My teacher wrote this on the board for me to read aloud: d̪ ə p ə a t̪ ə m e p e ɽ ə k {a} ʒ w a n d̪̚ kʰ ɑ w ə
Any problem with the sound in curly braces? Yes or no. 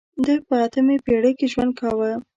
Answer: yes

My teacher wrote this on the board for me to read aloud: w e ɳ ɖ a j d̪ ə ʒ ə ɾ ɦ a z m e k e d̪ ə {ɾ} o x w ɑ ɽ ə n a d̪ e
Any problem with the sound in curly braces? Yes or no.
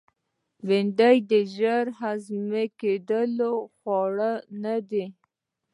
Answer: yes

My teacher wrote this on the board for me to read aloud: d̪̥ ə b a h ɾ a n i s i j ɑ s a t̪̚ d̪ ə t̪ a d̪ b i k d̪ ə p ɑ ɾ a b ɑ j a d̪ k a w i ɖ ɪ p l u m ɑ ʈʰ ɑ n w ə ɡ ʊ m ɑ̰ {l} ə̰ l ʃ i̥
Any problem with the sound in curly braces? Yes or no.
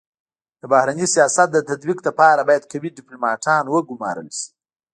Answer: yes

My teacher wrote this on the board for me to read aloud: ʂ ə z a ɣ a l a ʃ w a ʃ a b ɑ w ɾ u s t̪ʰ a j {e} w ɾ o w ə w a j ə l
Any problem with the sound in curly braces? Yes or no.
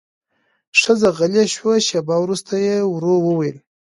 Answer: no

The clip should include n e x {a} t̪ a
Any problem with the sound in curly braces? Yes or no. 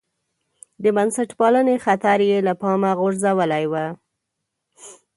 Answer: no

